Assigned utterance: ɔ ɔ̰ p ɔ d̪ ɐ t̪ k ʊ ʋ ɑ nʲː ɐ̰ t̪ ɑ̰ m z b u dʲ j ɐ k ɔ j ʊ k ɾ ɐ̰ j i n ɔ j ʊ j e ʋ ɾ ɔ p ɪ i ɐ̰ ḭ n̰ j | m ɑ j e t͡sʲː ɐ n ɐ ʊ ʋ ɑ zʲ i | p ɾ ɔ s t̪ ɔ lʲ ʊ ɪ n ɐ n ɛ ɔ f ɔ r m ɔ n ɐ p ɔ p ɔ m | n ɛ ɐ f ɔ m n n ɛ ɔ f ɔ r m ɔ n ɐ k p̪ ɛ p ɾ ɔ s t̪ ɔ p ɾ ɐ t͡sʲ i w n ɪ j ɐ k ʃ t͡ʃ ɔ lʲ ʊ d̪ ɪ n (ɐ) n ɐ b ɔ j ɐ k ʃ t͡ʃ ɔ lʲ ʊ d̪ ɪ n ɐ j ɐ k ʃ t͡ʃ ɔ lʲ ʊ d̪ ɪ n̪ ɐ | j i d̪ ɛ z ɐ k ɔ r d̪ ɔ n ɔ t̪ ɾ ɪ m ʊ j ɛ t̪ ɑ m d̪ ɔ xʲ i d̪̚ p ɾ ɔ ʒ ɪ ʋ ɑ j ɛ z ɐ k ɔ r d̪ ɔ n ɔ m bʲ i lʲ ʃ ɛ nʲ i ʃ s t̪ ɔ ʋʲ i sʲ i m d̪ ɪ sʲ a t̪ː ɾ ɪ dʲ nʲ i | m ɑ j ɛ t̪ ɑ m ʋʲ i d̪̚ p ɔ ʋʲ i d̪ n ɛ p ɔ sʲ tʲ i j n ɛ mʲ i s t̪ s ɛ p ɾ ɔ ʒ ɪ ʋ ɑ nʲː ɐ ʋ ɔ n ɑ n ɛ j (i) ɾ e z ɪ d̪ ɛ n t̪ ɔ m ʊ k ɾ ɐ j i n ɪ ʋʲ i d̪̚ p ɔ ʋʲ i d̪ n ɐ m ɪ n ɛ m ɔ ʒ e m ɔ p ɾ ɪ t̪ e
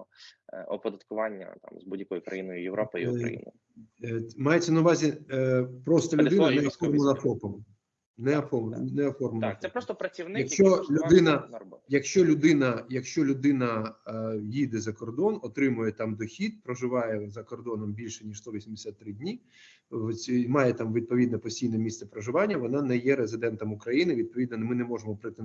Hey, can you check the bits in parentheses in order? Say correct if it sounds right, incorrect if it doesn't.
correct, incorrect: ɛ

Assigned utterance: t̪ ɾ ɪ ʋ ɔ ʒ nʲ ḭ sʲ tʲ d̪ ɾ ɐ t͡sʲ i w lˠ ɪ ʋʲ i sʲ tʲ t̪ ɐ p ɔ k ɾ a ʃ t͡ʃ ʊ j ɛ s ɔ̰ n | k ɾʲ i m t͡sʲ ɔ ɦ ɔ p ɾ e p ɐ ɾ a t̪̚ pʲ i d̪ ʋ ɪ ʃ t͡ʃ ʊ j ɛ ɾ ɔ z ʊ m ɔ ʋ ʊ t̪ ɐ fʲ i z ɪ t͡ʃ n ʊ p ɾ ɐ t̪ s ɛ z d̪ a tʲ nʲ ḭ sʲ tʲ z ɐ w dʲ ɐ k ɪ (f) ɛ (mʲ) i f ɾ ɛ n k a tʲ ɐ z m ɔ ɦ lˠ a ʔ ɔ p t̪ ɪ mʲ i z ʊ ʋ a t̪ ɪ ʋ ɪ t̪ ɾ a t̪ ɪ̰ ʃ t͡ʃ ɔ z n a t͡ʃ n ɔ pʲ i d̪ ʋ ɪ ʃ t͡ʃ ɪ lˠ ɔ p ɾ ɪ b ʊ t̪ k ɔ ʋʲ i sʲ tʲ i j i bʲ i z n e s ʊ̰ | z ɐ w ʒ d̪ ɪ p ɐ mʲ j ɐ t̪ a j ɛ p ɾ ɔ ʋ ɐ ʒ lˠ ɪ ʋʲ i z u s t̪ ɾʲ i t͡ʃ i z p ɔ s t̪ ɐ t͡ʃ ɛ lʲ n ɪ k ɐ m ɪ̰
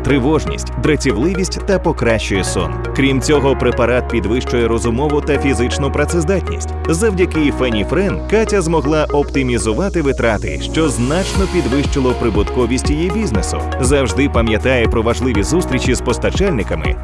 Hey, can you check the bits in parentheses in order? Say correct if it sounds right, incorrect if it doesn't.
correct, incorrect: nʲ

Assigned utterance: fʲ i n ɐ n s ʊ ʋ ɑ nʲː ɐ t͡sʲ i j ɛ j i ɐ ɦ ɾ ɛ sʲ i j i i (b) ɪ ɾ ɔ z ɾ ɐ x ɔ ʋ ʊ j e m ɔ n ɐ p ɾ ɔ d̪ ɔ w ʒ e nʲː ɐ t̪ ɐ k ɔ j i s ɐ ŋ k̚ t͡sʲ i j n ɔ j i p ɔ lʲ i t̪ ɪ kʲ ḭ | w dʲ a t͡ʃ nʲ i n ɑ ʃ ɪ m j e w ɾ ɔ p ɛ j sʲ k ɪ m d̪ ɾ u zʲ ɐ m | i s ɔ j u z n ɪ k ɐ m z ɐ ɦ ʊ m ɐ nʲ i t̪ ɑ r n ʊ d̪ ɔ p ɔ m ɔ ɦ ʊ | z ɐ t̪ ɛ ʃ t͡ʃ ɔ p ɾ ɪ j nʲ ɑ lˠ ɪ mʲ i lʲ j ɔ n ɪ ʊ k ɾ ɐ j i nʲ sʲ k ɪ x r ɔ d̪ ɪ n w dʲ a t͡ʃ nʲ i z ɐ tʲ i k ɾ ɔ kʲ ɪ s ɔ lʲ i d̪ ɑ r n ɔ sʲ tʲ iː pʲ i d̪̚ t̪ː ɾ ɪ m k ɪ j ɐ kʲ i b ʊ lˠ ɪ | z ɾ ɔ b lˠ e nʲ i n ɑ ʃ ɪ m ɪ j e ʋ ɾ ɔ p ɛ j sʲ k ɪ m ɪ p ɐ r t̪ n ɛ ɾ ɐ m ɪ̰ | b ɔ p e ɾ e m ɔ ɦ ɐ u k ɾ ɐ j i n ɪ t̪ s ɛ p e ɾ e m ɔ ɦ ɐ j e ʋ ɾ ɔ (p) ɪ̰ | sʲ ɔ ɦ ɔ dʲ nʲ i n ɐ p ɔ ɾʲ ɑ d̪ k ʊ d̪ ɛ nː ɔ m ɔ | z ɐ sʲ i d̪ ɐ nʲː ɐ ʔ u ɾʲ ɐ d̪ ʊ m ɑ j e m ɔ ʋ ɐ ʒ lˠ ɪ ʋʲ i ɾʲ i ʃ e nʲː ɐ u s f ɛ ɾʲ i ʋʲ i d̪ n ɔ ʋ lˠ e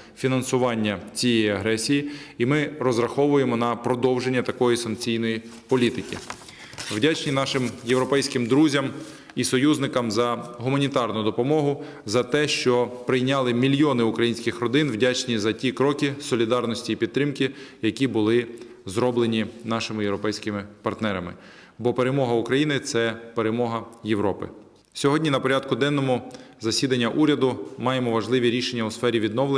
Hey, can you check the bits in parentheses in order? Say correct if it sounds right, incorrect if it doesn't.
incorrect: m, correct

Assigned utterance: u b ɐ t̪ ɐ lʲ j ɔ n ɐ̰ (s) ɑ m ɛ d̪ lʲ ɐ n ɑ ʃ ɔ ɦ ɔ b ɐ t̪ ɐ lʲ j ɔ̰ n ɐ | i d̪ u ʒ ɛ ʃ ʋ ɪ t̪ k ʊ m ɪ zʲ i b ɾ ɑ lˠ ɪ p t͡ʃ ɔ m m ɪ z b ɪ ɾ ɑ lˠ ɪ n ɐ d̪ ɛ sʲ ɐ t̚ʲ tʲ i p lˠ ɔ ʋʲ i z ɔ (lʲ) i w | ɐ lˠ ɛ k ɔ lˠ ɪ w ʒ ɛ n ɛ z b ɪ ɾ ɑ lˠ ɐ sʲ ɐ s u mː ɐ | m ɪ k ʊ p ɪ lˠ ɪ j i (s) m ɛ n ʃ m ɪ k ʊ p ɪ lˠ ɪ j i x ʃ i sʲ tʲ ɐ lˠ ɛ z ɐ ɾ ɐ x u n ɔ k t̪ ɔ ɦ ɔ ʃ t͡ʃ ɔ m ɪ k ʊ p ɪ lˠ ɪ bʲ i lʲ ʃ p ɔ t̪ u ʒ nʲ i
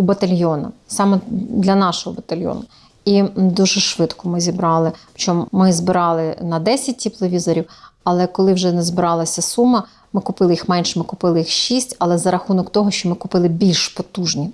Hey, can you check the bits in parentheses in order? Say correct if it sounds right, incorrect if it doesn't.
correct, incorrect: ɾʲ, incorrect: x

